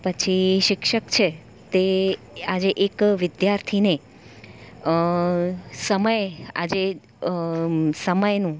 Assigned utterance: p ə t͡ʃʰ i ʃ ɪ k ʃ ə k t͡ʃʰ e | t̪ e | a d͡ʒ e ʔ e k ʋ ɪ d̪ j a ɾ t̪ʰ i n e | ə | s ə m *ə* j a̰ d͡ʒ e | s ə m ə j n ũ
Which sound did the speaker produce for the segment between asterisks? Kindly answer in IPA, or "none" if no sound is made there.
ə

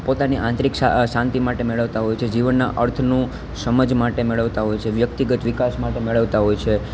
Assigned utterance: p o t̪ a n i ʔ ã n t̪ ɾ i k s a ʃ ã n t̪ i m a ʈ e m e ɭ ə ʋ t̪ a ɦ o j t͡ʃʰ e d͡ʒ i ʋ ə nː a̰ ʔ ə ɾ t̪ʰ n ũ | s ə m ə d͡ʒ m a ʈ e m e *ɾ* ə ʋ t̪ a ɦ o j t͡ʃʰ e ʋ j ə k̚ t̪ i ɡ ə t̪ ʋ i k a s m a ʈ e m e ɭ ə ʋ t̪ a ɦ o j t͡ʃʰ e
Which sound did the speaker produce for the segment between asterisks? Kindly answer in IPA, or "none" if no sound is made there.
ɭ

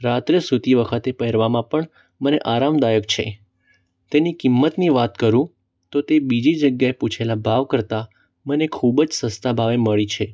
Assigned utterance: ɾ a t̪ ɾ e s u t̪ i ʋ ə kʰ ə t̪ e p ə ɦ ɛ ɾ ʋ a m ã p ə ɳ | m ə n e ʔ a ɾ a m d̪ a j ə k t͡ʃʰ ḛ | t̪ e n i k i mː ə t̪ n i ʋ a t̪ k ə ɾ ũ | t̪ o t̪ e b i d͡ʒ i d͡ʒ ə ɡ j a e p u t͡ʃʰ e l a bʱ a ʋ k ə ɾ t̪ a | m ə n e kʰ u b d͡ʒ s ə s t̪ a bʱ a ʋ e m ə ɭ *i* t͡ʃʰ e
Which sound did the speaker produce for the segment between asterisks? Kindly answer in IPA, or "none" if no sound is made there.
i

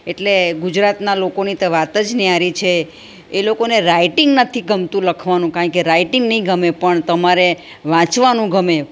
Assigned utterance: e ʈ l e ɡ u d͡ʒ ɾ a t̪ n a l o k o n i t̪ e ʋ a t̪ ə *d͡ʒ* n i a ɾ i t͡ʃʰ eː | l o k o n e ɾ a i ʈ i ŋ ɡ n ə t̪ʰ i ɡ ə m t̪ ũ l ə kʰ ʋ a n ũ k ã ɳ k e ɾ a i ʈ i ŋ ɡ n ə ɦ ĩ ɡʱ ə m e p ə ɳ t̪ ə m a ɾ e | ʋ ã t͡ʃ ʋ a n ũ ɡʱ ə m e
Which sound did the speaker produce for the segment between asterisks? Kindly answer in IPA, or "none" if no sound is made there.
d͡ʒ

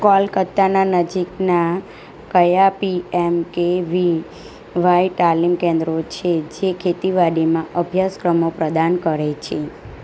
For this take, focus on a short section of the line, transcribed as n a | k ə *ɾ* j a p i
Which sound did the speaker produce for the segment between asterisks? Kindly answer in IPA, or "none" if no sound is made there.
none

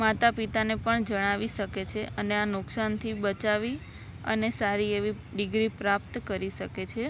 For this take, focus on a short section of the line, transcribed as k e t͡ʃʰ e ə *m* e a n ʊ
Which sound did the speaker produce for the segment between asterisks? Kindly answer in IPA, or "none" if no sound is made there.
n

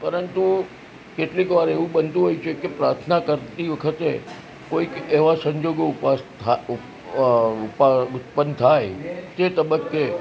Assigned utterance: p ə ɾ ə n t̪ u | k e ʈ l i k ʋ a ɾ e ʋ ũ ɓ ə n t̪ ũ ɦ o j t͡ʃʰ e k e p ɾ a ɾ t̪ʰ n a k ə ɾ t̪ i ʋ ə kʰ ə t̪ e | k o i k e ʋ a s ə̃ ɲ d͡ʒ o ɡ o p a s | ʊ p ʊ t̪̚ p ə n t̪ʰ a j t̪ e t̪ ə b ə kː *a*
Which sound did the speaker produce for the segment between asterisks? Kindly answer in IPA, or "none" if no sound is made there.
e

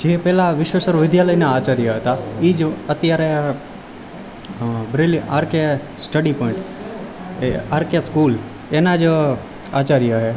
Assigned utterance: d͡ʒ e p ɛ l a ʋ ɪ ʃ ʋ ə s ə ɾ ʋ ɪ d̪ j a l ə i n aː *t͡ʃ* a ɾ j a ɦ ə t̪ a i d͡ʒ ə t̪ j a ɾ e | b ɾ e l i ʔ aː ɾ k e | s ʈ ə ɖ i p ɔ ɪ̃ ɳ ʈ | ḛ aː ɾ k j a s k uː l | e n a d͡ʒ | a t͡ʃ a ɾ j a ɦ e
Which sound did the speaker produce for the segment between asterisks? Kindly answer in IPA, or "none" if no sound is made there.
t͡ʃ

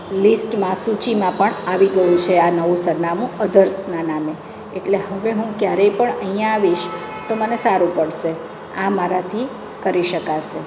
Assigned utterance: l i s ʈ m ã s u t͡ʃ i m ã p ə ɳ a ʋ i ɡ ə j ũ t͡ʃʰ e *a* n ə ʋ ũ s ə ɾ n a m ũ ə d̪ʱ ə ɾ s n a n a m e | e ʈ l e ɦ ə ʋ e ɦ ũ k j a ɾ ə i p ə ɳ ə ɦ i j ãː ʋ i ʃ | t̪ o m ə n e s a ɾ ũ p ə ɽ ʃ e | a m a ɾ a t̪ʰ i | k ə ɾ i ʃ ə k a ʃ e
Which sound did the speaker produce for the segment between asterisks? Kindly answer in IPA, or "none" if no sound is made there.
a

